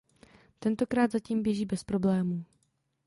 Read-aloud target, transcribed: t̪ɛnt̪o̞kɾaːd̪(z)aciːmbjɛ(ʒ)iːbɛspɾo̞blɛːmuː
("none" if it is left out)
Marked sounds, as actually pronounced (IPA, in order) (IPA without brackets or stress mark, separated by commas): z, ʒ